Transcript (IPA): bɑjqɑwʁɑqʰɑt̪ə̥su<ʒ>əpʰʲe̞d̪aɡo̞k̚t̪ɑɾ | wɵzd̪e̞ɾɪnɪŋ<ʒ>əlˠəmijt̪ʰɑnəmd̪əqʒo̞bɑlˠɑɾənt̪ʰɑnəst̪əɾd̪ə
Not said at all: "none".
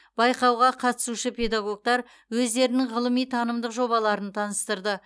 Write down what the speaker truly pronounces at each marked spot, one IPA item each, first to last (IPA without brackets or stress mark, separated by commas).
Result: ʃ, ʁ